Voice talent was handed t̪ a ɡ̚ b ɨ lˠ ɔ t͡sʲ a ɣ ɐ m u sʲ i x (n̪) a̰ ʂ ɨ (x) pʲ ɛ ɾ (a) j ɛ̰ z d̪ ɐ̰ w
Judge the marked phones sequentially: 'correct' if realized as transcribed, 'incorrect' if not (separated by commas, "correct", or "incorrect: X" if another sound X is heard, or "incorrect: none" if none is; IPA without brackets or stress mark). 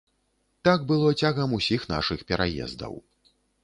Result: correct, correct, correct